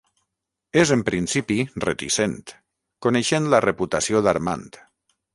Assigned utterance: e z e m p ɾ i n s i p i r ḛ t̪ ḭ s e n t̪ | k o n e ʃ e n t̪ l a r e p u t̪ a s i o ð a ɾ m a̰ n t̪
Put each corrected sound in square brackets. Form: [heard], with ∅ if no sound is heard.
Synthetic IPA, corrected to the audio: e z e m p ɾ i n s i p i r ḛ t̪ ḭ s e n t̪ | k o n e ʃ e n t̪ l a r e p u t̪ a s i o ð a ɾ m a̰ n t̪